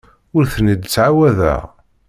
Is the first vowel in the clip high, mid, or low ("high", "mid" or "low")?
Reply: high